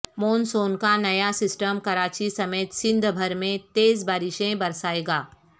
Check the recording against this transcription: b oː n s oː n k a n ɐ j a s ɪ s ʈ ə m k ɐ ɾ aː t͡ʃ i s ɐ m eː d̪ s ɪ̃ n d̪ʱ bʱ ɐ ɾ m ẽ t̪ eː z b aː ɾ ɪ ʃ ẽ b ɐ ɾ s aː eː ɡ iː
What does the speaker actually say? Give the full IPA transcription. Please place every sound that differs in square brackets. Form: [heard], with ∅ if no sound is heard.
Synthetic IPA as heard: [m] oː n s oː n k a n ɐ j a s ɪ s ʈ ə m k ɐ ɾ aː t͡ʃ i s ɐ m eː [t̪] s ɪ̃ n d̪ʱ bʱ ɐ ɾ m ẽ t̪ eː z b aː ɾ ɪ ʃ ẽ b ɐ ɾ s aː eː ɡ [aː]